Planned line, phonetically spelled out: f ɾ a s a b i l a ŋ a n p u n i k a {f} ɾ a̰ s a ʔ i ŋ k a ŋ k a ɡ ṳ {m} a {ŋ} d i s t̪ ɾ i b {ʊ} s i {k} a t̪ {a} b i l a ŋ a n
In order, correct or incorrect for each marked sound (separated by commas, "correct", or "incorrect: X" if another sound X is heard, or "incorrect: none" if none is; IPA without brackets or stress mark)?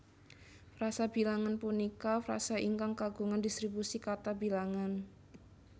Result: correct, incorrect: ŋ, incorrect: n, incorrect: u, correct, correct